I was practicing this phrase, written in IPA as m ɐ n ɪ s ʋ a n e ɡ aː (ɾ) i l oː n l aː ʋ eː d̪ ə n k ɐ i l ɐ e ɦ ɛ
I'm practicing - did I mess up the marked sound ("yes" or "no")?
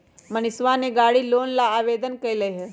yes